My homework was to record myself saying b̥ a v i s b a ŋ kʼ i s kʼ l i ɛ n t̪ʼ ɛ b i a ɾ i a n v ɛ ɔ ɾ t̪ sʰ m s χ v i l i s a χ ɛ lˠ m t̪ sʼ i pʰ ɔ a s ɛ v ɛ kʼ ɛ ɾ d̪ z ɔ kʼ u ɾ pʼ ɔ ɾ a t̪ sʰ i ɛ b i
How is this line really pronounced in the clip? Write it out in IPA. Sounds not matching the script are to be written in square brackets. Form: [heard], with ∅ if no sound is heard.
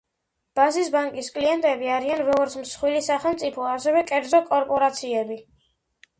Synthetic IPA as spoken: b̥ a [z] i s b a ŋ kʼ i s kʼ l i ɛ n t̪ʼ ɛ b i a ɾ i a n v ɛ ɔ ɾ t̪ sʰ m s χ [w] i l i s a χ ɛ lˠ m t̪ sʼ i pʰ ɔ a s ɛ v ɛ kʼ ɛ ɾ d̪ z ɔ kʼ [ɔ] ɾ pʼ ɔ ɾ a t̪ sʰ i ɛ b i